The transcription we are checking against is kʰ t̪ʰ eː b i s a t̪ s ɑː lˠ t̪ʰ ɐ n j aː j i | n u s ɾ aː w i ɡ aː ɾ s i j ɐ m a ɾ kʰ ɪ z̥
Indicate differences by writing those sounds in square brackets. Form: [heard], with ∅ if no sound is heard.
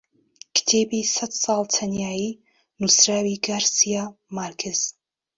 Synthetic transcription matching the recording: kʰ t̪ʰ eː b i s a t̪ s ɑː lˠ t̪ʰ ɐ n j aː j i | n u s ɾ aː w i ɡ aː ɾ s i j [a] m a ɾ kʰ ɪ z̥

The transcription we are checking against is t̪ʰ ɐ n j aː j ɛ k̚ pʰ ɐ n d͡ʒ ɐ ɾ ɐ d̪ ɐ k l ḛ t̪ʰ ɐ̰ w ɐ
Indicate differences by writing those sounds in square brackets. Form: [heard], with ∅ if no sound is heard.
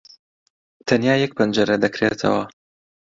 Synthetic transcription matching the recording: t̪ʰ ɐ n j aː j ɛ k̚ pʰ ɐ n d͡ʒ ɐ ɾ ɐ d̪ ɐ k [ɾ] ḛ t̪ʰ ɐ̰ w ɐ

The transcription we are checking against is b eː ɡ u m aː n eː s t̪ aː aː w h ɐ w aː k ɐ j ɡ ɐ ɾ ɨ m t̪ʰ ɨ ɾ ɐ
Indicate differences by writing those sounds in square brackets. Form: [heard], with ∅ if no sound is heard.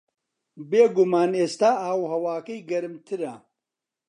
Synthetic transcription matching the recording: b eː ɡ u m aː n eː s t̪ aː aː w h ɐ w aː k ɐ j ɡ ɐ ɾ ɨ m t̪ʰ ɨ ɾ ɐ

